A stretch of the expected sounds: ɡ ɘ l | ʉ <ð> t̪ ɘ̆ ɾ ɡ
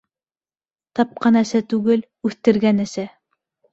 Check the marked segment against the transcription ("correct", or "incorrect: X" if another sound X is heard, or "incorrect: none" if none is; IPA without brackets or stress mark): incorrect: θ